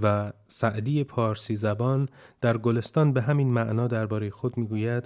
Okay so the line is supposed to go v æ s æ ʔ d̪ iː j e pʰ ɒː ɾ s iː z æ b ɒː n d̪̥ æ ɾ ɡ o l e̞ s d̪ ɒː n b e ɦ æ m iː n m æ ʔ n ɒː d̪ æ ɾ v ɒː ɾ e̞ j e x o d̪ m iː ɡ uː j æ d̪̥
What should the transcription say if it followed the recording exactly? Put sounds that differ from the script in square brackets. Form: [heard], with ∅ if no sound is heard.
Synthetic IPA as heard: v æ s æ ʔ d̪ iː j e pʰ ɒː ɾ s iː z æ b ɒː n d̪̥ æ ɾ ɡ o l e̞ s [t̪] ɒː n b e ɦ æ m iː n m æ ʔ n ɒː d̪ æ ɾ [b] ɒː ɾ e̞ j e x o d̪ m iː ɡ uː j æ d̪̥